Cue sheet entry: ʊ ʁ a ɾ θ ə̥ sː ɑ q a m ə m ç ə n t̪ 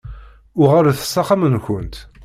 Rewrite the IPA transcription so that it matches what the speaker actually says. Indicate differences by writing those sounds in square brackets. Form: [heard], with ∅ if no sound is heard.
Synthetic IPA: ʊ ʁ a ɾ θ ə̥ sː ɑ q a m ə [n] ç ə n t̪